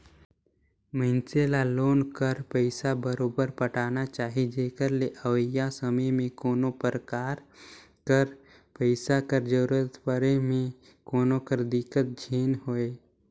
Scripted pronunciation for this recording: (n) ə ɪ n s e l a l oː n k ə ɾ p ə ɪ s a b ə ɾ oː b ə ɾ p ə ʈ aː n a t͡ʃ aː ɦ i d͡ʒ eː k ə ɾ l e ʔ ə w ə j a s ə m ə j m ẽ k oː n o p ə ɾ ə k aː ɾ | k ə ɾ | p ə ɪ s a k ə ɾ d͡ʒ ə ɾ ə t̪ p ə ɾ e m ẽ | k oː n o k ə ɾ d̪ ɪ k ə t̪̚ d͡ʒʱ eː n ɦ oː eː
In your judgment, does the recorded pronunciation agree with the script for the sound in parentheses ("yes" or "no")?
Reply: no